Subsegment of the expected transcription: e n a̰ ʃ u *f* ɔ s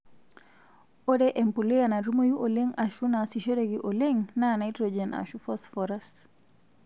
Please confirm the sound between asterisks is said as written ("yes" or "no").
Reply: yes